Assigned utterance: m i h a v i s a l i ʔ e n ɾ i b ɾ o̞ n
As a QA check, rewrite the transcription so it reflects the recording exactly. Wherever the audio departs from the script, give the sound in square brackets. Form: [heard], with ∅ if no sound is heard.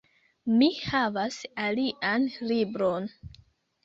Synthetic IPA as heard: m i h a v [a] s a l i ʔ [a] n [l] i b ɾ o̞ n